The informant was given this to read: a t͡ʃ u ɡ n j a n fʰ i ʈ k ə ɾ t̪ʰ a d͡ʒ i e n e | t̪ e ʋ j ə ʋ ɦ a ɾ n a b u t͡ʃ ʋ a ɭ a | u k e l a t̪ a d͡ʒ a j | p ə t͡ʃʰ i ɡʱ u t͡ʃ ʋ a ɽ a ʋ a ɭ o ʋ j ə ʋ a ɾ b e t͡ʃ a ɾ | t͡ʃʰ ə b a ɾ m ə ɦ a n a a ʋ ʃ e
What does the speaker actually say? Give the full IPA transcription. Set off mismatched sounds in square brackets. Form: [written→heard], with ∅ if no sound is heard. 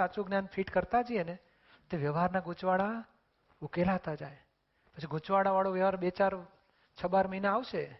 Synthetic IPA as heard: a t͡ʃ u ɡ n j a n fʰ i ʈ k ə ɾ [t̪ʰ→t̪] a d͡ʒ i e n e | t̪ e ʋ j ə ʋ ɦ a ɾ n a [b→ɡ] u t͡ʃ ʋ a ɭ a | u k e l a t̪ a d͡ʒ a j | p ə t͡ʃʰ i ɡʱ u t͡ʃ ʋ a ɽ a ʋ a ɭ o ʋ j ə ʋ a ɾ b e t͡ʃ a ɾ | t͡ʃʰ ə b a ɾ m ə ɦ [a→i] n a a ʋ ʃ e